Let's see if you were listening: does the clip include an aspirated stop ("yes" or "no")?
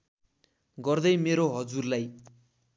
no